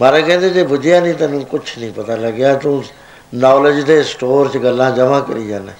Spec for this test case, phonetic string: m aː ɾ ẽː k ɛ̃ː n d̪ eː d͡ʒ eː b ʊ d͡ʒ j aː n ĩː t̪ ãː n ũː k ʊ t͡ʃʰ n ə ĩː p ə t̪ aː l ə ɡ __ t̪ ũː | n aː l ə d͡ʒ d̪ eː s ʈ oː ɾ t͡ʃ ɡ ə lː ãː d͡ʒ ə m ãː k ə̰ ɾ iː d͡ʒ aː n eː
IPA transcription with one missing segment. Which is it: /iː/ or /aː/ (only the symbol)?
aː